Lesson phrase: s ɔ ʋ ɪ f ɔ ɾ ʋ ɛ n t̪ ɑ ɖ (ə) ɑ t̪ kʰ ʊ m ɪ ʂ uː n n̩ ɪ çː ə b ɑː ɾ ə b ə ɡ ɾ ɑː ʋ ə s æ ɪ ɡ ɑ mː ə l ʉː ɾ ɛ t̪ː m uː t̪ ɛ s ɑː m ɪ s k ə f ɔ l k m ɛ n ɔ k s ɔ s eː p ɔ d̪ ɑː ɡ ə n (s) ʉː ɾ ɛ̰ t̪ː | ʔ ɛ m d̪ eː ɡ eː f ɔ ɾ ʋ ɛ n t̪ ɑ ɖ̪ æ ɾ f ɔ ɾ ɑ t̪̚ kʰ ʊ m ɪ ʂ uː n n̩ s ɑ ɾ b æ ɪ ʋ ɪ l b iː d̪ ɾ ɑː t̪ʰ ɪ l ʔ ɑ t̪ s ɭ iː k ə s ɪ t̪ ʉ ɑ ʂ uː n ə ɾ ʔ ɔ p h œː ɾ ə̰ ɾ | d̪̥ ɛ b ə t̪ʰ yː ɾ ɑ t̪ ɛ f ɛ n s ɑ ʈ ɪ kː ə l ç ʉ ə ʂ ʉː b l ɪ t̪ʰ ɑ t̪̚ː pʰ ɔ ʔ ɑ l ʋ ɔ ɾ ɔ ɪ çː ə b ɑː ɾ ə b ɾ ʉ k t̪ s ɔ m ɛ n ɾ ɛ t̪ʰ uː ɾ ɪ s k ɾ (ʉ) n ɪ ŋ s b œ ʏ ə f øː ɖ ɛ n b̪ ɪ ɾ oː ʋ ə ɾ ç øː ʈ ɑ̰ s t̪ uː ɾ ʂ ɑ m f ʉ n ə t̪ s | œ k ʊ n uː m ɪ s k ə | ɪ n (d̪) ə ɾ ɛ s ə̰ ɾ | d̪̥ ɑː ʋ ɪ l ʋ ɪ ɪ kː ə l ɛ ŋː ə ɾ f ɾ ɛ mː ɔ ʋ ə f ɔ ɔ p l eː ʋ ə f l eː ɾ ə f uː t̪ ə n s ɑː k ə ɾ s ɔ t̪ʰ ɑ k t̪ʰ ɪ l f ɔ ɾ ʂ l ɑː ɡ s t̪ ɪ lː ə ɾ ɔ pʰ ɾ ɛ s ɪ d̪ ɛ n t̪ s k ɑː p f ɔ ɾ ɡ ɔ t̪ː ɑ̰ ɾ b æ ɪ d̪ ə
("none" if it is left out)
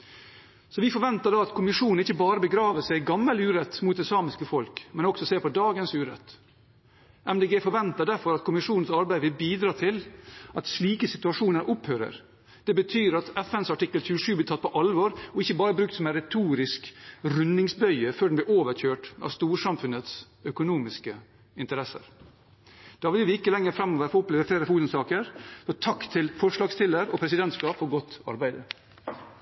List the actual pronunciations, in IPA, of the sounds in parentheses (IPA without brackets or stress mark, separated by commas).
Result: ɑ, s, ʉ, t̪